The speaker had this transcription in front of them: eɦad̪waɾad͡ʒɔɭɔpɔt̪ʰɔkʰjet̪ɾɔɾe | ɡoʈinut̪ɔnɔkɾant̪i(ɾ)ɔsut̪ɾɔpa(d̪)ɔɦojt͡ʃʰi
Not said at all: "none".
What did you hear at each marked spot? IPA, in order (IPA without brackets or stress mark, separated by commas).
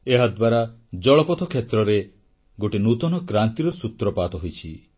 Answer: ɾ, t̪